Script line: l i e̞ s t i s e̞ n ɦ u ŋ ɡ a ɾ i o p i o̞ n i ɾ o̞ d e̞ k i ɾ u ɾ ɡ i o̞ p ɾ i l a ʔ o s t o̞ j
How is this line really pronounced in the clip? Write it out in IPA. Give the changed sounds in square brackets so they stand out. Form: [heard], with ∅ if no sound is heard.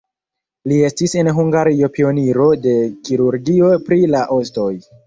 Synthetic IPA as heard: l i e̞ s t i s e̞ n ɦ u ŋ ɡ a ɾ i o p i o̞ n i ɾ o̞ d e̞ k i ɾ u ɾ ɡ i o̞ p ɾ i l a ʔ o s t o̞ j